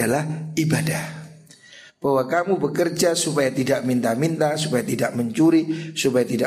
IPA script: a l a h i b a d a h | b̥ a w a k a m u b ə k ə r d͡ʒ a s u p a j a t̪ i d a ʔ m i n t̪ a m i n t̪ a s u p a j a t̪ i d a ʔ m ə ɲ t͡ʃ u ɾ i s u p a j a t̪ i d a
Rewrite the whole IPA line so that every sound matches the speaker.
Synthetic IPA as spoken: a l a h i b a d a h | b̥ a w a k a m u b ə k ə r d͡ʒ a s u p a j a t̪ i d a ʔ m i n t̪ a m i n t̪ a s u p a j a t̪ i d a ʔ m ə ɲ t͡ʃ u ɾ i s u p a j a t̪ i d a